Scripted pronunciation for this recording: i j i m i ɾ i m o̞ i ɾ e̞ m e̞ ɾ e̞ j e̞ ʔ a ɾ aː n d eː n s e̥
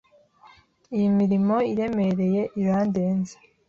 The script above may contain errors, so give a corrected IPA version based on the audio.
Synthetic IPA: i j i m i ɾ i m o̞ i ɾ e̞ m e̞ ɾ e̞ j e̞ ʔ i ɾ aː n d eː n z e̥